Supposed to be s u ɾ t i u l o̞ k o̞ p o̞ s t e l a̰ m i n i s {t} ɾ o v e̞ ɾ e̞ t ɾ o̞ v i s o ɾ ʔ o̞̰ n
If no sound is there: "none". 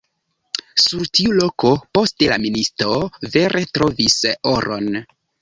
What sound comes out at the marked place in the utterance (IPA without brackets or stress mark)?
t